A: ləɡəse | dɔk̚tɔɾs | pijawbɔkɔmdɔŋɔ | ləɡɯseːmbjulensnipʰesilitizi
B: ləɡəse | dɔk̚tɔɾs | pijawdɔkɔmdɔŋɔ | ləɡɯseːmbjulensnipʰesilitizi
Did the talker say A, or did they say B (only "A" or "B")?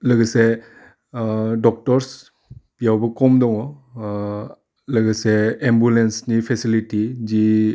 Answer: A